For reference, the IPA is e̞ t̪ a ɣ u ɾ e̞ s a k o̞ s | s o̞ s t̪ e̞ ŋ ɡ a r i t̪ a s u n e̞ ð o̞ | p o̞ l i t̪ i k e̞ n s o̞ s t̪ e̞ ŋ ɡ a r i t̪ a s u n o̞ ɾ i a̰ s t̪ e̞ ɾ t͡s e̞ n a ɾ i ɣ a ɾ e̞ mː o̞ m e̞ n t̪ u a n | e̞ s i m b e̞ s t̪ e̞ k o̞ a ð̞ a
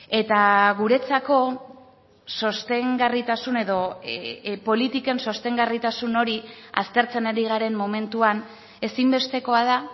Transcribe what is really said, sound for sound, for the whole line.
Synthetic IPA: e̞ t̪ a ɣ u ɾ e̞ t͡s a k o̞ | s o̞ s t̪ e̞ ŋ ɡ a r i t̪ a s u n e̞ ð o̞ | p o̞ l i t̪ i k e̞ n s o̞ s t̪ e̞ ŋ ɡ a r i t̪ a s u n o̞ ɾ i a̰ s t̪ e̞ ɾ t͡s e̞ n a ɾ i ɣ a ɾ e̞ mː o̞ m e̞ n t̪ u a n | e̞ s i m b e̞ s t̪ e̞ k o̞ a ð̞ a